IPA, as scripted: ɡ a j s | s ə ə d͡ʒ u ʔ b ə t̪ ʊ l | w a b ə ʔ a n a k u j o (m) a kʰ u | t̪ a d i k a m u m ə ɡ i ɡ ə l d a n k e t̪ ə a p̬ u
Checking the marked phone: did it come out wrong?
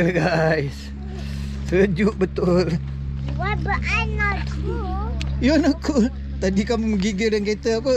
yes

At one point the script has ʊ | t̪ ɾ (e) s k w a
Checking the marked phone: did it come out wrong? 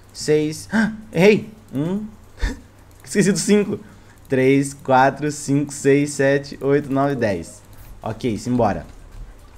no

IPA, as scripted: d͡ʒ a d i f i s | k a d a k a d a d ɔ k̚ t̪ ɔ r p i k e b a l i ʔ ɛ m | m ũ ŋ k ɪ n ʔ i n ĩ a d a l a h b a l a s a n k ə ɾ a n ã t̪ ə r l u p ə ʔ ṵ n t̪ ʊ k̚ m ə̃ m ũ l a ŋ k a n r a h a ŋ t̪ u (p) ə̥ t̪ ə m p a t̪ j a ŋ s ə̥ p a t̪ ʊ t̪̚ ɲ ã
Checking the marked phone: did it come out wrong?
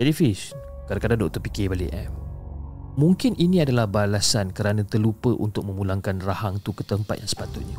yes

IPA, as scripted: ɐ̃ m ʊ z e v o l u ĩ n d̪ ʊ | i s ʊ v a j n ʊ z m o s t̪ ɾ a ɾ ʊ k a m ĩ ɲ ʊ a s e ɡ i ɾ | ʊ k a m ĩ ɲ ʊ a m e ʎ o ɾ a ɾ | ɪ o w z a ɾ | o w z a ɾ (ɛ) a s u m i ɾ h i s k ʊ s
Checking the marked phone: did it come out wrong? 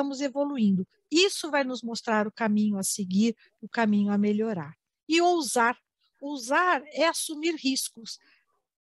no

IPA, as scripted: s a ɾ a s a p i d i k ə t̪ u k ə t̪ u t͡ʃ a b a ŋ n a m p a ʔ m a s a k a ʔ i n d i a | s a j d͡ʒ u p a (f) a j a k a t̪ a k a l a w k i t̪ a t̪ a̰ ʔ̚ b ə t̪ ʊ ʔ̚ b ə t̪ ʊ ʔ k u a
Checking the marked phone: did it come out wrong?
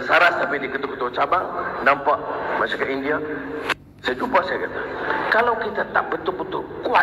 yes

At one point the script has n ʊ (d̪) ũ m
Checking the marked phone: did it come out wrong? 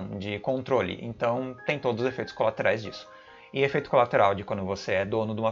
no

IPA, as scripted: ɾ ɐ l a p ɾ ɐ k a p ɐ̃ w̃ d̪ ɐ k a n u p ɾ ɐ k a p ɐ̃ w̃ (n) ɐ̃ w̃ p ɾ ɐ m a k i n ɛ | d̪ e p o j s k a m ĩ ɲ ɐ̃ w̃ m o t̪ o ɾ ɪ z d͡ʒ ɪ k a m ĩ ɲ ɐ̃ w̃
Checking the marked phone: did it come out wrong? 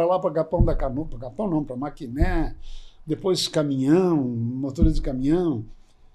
no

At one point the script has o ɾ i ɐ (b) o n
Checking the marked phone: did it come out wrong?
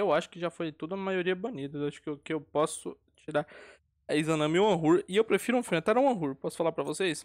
no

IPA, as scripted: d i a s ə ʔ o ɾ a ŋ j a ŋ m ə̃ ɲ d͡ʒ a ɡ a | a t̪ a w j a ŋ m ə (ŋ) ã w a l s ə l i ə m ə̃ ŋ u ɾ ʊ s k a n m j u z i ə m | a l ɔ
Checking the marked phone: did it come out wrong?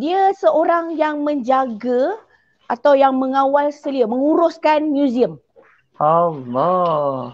no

